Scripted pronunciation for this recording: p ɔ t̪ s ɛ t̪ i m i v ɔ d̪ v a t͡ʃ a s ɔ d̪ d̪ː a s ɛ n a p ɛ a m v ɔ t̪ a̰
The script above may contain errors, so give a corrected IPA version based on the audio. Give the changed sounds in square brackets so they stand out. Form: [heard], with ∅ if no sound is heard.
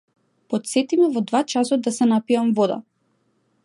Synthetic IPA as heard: p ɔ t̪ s ɛ t̪ i m [ɛ] v ɔ d̪ v a t͡ʃ a s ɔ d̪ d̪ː a s ɛ n a p [i] a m v ɔ [d̪] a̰